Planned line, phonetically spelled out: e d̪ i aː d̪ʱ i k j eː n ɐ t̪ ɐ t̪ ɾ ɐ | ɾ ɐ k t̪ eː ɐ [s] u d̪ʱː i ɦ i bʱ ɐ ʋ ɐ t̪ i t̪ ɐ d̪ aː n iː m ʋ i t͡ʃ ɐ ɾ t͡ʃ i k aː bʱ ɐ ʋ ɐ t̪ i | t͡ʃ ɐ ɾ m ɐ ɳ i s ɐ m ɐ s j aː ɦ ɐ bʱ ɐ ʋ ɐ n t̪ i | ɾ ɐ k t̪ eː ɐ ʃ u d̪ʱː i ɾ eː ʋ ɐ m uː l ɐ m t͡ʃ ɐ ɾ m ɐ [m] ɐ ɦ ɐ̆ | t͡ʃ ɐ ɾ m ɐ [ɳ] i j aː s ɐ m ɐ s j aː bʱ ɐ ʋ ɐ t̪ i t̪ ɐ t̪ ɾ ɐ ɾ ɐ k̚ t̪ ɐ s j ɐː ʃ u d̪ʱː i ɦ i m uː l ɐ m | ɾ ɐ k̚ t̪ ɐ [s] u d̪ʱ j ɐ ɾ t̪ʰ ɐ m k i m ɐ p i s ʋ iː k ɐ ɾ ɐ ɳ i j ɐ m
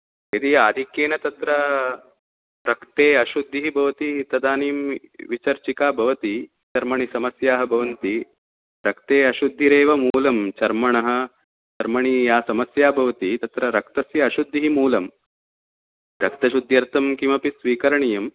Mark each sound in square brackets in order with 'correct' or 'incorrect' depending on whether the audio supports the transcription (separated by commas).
incorrect, incorrect, correct, incorrect